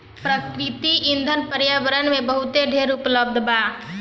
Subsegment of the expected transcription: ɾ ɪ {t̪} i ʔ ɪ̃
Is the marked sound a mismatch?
no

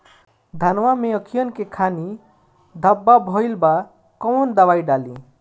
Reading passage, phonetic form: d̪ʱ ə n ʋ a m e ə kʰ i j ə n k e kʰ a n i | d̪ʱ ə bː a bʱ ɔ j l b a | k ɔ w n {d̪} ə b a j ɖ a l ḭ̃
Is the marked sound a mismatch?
no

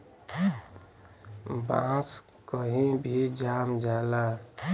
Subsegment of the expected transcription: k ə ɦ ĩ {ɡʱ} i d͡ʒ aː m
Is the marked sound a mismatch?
yes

